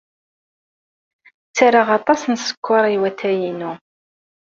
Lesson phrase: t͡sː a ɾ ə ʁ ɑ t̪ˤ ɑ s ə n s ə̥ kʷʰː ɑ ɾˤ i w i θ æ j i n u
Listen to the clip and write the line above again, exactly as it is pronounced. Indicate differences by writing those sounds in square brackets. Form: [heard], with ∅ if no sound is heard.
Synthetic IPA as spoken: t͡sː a ɾ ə ʁ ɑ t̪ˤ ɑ s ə n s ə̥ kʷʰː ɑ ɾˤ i w [æ] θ æ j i n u